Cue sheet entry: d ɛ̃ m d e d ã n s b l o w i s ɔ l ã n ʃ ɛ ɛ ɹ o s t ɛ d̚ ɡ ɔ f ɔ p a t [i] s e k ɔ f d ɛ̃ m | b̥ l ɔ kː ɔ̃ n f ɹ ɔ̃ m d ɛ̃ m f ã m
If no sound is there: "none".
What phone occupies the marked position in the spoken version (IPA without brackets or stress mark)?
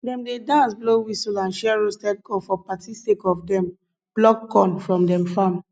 i